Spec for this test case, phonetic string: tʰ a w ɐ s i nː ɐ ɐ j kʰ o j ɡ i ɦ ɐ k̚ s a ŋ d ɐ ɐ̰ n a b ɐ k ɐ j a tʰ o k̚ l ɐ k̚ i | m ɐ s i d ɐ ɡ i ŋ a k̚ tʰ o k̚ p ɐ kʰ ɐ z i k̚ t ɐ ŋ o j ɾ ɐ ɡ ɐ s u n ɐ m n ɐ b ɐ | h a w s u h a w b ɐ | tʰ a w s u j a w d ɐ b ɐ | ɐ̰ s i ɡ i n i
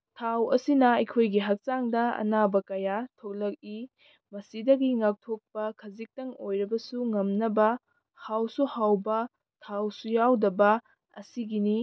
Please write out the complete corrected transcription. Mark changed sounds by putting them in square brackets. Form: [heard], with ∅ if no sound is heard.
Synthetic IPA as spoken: tʰ a w ɐ s i [n] ɐ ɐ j kʰ o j ɡ i ɦ ɐ k̚ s a ŋ d ɐ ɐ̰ n a b ɐ k ɐ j a tʰ o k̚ l ɐ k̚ i | m ɐ s i d ɐ ɡ i ŋ a k̚ tʰ o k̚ p ɐ kʰ ɐ z i k̚ t ɐ ŋ o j ɾ ɐ [b] ɐ s u [ŋ] ɐ m n ɐ b ɐ | h a w s u h a w b ɐ | tʰ a w s u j a w d ɐ b ɐ | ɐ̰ s i ɡ i n i